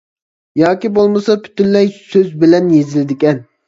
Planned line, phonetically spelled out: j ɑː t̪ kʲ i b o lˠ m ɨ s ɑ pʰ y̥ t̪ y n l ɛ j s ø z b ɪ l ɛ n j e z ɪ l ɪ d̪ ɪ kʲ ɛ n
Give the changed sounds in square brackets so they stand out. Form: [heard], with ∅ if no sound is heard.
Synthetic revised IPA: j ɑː [∅] kʲ i b o lˠ m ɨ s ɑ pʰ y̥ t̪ y n l ɛ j s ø z b ɪ l ɛ n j e z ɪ l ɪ d̪ ɪ kʲ ɛ n